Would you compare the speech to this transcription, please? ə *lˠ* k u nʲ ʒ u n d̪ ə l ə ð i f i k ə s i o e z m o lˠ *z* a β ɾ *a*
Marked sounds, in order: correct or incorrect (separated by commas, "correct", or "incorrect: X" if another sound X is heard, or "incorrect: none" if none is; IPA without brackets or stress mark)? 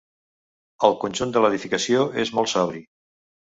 correct, incorrect: s, incorrect: i